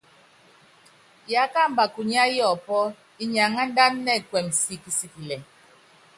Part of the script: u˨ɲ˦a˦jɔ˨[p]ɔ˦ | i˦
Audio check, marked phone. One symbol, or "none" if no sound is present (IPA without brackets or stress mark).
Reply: p